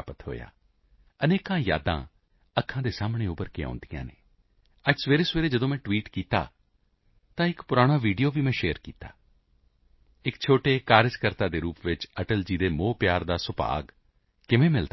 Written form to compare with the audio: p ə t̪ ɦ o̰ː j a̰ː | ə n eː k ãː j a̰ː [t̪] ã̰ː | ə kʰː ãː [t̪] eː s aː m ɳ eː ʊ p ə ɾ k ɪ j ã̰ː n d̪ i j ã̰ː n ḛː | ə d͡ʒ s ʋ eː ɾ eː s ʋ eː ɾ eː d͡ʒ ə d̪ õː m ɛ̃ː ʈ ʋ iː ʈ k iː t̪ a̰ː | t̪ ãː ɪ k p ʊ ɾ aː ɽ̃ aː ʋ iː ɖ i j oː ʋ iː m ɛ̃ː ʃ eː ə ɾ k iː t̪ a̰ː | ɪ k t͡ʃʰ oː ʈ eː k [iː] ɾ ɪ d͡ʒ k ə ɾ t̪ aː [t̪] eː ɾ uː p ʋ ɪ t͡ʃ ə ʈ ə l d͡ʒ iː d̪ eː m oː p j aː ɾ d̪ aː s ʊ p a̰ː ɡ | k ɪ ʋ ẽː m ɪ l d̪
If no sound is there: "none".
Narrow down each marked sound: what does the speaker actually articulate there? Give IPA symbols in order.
d̪, d̪, aː, d̪

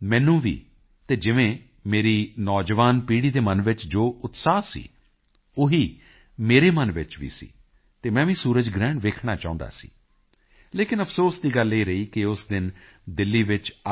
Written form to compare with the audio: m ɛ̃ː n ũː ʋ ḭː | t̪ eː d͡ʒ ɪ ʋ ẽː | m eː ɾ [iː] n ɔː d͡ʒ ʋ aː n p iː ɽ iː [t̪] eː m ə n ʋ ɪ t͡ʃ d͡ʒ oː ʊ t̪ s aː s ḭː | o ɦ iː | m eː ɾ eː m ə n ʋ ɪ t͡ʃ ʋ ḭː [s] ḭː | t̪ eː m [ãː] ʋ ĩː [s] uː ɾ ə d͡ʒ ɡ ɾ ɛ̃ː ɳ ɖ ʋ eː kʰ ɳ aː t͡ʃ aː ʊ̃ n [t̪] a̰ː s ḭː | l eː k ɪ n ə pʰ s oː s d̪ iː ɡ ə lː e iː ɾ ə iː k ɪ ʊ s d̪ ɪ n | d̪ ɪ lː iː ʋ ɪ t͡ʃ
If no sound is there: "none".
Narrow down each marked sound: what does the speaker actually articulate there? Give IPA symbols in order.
iː, d̪, s, ɛ̃ː, s, d̪

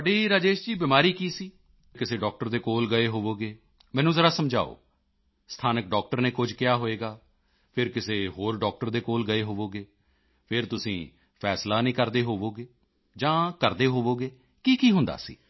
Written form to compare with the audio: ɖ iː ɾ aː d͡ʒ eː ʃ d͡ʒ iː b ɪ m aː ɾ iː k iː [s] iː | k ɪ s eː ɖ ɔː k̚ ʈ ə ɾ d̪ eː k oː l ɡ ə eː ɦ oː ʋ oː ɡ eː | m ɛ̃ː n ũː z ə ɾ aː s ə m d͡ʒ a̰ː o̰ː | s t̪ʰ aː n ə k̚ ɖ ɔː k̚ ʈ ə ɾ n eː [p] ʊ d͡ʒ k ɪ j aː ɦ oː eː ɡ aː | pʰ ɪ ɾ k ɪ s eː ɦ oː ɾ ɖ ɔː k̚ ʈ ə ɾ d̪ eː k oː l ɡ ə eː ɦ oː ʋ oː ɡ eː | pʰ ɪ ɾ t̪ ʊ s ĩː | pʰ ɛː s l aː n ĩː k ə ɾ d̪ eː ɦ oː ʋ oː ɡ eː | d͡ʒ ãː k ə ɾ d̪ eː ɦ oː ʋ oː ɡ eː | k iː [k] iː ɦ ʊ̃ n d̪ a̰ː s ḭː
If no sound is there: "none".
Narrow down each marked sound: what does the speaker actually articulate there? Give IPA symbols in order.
s, k, k

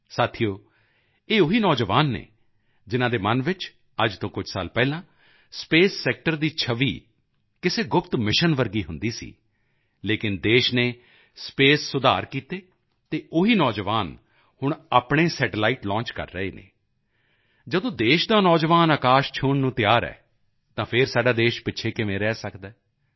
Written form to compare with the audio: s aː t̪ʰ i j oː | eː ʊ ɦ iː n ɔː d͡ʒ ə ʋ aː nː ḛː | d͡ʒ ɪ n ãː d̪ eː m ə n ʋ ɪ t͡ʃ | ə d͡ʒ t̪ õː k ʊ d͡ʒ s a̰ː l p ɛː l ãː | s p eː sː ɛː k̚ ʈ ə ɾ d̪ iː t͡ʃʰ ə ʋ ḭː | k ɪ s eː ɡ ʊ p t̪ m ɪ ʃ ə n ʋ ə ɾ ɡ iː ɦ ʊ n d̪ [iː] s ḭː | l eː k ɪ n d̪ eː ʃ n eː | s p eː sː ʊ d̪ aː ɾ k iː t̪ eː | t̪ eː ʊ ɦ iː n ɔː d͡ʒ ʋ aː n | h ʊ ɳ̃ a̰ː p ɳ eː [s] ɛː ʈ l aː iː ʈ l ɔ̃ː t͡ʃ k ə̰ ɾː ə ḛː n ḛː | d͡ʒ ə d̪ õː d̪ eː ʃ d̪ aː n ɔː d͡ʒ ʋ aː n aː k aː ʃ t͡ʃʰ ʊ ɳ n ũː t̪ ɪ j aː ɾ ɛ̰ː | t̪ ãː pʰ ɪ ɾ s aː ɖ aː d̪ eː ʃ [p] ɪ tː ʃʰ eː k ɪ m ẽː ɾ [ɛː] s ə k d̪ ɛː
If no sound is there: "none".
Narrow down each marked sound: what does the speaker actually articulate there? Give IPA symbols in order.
iː, s, p, ɛː

